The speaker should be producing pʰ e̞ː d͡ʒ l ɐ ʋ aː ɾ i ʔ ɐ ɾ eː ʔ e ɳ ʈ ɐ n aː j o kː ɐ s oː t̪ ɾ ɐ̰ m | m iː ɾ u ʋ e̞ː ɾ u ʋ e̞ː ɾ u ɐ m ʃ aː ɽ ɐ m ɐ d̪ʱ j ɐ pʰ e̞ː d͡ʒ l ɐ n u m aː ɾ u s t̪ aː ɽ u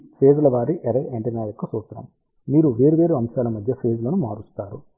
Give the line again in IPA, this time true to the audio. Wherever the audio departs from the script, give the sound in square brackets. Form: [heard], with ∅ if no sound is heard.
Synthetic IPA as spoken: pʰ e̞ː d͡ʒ l ɐ ʋ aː ɾ i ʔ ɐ ɾ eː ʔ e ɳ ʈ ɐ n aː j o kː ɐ s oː t̪ ɾ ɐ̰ m | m iː ɾ u ʋ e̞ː ɾ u ʋ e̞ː ɾ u ɐ m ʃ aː [l] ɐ m ɐ d̪ʱ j ɐ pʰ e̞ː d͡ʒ l ɐ n u m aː ɾ u s t̪ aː [ɾ] u